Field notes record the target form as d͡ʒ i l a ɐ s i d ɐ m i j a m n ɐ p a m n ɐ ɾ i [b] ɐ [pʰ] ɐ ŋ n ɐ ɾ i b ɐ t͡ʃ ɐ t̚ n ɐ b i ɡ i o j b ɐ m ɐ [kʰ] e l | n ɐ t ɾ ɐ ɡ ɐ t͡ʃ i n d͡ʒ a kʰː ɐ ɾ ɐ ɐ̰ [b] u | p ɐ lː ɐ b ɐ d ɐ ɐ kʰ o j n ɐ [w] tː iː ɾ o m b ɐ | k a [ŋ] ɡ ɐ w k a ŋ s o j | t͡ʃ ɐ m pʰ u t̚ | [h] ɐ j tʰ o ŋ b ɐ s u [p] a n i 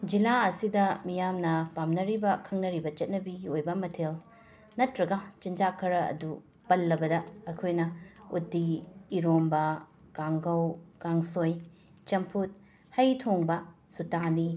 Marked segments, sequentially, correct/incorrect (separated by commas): correct, incorrect, incorrect, incorrect, incorrect, correct, correct, incorrect